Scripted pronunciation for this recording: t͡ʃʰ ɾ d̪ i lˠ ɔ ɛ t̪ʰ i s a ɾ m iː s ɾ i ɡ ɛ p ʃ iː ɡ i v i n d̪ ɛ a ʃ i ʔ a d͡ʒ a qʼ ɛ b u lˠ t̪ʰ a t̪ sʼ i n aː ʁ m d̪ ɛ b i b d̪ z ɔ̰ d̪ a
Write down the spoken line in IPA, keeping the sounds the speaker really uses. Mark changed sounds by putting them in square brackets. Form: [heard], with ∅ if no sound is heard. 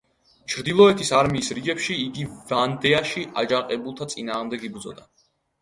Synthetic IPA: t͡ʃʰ ɾ d̪ i lˠ ɔ ɛ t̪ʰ i s a ɾ m iː s ɾ i ɡ ɛ p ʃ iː ɡ i v [a] n d̪ ɛ a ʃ i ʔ a d͡ʒ a qʼ ɛ b u lˠ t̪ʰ a t̪ sʼ i n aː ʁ m d̪ ɛ [ɡ] i b d̪ z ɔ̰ d̪ a